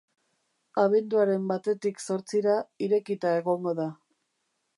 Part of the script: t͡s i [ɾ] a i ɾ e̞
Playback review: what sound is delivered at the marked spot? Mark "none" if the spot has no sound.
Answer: ɾ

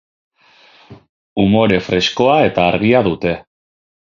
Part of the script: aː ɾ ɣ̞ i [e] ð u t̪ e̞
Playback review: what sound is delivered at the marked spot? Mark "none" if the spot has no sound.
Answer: a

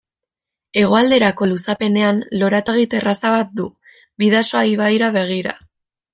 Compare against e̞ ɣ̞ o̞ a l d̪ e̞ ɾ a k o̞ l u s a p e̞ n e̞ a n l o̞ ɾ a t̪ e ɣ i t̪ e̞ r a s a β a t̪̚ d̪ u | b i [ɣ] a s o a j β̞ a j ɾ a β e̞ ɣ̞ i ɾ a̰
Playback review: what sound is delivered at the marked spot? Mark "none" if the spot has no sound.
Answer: ð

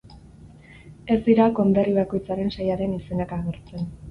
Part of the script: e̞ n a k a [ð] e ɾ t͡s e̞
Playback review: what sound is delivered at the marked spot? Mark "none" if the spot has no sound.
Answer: ɣ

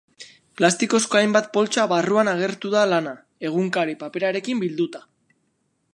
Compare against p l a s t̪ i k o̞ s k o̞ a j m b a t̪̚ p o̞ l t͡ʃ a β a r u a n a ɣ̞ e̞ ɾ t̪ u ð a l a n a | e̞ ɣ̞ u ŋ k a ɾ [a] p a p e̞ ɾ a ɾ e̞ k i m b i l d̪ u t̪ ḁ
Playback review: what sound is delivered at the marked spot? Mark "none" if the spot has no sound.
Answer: i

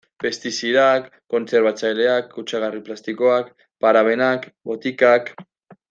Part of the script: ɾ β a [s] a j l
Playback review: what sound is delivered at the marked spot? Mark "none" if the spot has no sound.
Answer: t͡s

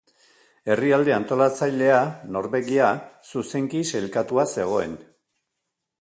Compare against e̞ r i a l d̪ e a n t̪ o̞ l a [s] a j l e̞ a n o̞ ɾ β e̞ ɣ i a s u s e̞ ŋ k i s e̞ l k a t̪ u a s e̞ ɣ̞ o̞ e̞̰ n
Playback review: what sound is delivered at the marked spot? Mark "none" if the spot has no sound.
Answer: t͡s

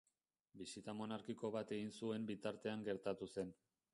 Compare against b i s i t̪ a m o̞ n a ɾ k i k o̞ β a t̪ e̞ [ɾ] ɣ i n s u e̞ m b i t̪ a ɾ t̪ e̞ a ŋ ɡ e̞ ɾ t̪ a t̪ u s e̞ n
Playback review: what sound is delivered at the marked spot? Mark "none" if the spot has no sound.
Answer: none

